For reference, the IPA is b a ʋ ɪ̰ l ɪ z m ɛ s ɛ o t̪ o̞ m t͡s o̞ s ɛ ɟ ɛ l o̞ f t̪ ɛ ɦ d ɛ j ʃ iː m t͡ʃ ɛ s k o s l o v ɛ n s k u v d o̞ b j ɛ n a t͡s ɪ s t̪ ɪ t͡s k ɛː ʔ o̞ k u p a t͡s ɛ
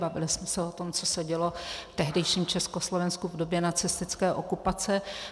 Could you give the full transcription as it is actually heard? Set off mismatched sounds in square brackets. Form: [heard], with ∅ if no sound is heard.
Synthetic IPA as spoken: b a [v] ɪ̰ l ɪ [s] m ɛ s ɛ o t̪ o̞ m t͡s o̞ s ɛ ɟ ɛ l o̞ f t̪ ɛ ɦ d ɛ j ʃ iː m t͡ʃ ɛ s k o s l o v ɛ n s k u v d o̞ b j ɛ n a t͡s ɪ s t̪ ɪ t͡s k ɛː ʔ o̞ k u p a t͡s ɛ